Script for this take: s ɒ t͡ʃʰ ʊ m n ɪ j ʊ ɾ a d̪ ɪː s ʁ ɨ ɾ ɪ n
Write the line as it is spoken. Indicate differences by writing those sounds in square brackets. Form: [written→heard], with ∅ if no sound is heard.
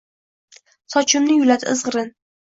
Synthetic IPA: s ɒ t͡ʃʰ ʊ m n ɪ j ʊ [ɾ→l] a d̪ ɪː [s→z] ʁ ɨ ɾ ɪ n